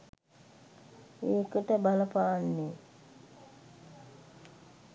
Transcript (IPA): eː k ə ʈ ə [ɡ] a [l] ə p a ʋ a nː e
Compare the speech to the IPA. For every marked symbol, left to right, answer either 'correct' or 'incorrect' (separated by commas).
incorrect, correct